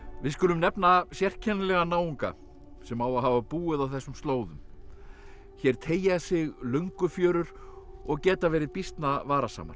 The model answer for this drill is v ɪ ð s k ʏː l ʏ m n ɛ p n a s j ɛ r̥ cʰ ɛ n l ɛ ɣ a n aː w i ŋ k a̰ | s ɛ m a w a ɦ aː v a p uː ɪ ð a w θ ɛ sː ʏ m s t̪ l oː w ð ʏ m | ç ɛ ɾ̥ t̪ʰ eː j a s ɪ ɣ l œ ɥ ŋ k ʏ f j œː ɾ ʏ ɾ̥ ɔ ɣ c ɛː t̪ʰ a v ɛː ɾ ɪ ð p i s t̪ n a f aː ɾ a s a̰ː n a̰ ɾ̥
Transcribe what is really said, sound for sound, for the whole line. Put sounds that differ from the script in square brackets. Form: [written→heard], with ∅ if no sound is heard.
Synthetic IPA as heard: v ɪ ð s k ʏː l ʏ m n ɛ p n a s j ɛ r̥ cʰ ɛ n l ɛ ɣ a n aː w i ŋ k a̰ | s ɛ m a w a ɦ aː v a p uː ɪ ð a w θ ɛ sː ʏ m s t̪ l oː w ð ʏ m | ç ɛ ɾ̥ t̪ʰ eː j a s ɪ ɣ l œ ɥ ŋ k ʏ f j œː ɾ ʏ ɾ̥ ɔ ɣ c ɛː [t̪ʰ→t̪] a v ɛː ɾ ɪ ð p i s t̪ n a [f→v] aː ɾ a s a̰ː [n→m] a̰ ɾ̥